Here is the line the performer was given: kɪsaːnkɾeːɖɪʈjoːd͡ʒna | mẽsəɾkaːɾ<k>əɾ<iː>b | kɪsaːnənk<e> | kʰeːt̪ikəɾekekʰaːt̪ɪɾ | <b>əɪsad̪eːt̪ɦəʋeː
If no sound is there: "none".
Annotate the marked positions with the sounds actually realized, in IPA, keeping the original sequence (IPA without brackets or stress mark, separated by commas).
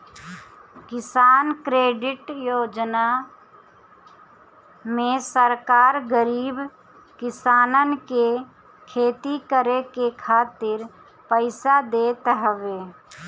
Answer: ɡ, iː, e, p